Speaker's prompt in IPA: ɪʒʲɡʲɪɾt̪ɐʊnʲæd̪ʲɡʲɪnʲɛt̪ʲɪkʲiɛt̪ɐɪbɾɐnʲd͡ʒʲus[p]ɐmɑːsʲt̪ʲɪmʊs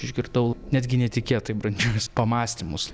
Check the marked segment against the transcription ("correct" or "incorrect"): correct